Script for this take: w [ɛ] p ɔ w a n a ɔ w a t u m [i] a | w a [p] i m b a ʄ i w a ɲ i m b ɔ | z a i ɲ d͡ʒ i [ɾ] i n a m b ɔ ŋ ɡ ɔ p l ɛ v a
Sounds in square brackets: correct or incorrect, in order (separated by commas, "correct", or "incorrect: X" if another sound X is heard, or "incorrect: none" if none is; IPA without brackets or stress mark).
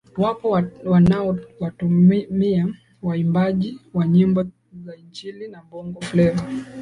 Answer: incorrect: a, correct, incorrect: none, incorrect: l